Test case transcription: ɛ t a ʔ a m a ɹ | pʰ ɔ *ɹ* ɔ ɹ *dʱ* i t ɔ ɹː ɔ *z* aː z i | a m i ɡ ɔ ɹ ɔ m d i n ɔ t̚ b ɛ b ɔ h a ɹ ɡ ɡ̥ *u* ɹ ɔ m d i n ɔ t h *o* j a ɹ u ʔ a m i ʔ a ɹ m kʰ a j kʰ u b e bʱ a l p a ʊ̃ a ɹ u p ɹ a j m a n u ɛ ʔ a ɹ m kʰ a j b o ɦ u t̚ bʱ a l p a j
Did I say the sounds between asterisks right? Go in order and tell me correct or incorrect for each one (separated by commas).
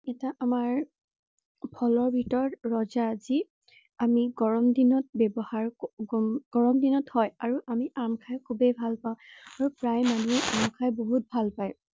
incorrect, incorrect, correct, incorrect, incorrect